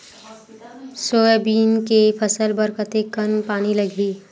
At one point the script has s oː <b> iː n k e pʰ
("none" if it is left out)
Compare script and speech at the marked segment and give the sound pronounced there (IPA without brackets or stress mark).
b